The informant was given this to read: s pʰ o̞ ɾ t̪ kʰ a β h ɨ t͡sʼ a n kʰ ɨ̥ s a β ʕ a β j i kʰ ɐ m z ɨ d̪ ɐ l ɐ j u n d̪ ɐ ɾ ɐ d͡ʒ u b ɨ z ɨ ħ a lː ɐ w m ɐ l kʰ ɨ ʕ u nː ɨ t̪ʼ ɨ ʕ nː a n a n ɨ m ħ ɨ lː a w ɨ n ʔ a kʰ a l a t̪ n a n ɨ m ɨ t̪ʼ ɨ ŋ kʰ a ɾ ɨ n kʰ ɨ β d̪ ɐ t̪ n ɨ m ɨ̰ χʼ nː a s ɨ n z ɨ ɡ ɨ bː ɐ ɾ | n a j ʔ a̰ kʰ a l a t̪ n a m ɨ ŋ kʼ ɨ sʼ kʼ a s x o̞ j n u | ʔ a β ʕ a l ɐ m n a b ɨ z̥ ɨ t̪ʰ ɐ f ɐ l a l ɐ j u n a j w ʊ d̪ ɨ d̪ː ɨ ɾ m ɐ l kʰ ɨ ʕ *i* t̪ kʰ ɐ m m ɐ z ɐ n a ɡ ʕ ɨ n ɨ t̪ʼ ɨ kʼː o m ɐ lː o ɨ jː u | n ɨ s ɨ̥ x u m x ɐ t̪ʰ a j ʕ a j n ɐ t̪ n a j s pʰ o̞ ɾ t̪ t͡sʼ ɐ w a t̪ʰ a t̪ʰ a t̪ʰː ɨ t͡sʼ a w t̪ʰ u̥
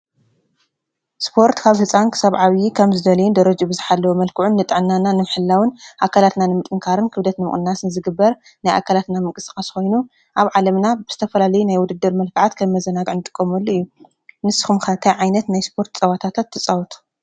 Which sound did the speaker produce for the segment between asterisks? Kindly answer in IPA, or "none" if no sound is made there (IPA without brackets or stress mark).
a